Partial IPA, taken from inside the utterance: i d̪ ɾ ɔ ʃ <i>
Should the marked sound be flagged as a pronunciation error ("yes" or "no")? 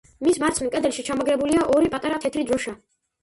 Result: yes